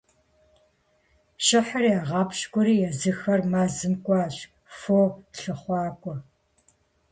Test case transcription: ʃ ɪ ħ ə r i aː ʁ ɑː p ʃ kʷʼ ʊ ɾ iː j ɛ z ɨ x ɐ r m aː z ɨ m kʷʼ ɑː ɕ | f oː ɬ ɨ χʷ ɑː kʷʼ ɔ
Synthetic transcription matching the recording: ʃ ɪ ħ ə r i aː ʁ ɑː p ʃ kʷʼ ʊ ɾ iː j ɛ z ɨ x ɐ r m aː z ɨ m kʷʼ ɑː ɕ | f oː ɬ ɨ χʷ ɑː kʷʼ ɔ

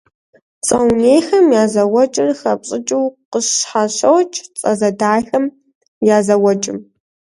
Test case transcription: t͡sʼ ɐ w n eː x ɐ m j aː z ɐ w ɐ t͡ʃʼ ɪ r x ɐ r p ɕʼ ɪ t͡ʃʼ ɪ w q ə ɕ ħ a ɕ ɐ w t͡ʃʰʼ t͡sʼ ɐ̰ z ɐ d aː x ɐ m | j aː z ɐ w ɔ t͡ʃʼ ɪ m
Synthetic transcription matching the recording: t͡sʼ ɐ w n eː x ɐ m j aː z ɐ w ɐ t͡ʃʼ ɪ r x ɐ p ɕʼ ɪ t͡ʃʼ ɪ w q ə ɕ ħ a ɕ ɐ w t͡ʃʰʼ t͡sʼ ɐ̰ z ɐ d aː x ɐ m | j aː z ɐ w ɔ t͡ʃʼ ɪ m

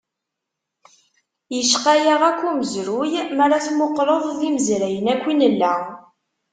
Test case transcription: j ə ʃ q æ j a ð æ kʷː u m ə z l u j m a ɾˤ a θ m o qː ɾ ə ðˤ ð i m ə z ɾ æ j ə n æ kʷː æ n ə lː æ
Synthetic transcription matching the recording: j ə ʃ q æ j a ʁ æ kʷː u m ə z ɾ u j m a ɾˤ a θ m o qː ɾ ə ðˤ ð i m ə z ɾ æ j ə n æ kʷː i n ə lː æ

